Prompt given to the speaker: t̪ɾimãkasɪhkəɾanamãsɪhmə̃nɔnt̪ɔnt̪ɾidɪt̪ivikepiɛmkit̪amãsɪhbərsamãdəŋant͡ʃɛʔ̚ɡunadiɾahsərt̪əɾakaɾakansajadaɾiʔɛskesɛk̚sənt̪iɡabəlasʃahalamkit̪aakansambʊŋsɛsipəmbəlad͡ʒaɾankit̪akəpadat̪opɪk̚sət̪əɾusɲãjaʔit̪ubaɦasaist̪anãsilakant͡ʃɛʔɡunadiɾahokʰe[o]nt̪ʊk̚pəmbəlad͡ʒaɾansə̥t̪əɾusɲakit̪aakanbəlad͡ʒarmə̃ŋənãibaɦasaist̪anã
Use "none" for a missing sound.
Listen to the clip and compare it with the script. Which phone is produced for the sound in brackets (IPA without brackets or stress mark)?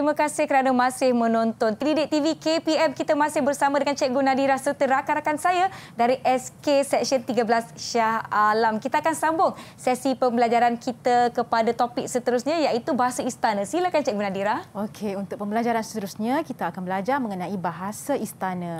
u